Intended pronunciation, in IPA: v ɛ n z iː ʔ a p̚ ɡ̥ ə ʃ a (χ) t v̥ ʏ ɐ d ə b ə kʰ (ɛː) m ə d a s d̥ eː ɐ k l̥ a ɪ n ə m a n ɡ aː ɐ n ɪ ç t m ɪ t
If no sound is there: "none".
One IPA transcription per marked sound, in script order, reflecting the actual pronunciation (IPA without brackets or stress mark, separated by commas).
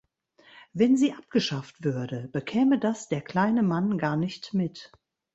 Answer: f, ɛː